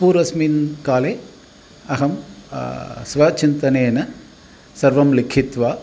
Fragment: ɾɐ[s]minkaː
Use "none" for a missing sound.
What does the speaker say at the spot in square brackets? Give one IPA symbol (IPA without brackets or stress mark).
s